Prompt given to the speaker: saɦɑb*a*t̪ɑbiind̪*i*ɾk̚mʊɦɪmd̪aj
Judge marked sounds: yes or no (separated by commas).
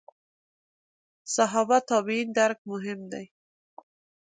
yes, no